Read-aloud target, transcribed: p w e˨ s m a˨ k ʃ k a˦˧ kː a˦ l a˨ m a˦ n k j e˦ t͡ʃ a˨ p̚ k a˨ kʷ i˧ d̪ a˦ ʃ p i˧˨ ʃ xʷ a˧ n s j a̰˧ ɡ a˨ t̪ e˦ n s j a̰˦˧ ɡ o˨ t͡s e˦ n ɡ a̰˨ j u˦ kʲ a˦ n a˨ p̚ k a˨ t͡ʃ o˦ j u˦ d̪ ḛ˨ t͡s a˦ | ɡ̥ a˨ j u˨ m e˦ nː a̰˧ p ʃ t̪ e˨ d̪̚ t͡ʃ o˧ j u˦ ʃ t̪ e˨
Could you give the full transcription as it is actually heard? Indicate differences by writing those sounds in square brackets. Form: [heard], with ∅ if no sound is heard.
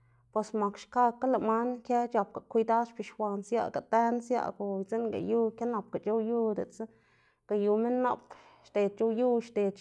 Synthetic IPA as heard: p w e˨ s m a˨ k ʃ k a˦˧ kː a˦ l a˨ m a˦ n k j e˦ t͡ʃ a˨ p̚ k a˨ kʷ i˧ d̪ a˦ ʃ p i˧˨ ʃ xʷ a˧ n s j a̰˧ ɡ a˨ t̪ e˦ n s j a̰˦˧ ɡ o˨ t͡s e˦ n ɡ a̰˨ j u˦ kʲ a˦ n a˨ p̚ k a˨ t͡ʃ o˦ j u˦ d̪ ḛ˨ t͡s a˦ | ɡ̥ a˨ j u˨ m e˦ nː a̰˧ p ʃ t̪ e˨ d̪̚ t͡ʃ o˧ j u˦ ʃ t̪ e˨